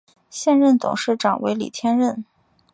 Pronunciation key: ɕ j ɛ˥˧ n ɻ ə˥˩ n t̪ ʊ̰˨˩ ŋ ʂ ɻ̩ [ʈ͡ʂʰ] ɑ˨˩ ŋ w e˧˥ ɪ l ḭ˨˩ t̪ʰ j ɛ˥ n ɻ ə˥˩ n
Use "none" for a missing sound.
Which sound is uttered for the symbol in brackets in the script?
ʈ͡ʂ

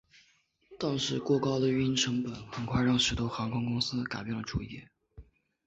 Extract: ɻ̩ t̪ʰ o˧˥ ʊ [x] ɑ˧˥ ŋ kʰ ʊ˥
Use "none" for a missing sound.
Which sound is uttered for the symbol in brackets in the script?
x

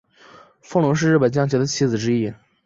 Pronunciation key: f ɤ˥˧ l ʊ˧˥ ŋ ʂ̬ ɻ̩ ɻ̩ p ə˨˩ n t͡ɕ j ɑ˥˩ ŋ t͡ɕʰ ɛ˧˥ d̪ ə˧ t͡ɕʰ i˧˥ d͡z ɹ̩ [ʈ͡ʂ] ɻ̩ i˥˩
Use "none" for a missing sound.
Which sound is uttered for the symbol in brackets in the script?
ʈ͡ʂ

